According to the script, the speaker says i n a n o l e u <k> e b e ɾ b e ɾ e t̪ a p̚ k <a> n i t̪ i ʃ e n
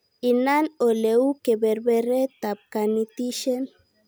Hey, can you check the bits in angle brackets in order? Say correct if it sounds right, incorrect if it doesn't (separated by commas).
correct, correct